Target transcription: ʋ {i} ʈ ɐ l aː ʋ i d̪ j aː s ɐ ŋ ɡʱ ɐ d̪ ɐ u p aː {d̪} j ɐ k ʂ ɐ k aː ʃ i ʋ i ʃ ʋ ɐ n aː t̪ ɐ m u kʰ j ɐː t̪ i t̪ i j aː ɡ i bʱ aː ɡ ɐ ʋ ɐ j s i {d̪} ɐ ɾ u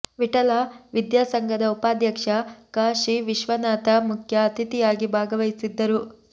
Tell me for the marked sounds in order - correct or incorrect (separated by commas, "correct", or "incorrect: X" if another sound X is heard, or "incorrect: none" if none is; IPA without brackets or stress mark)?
correct, correct, incorrect: d̪ː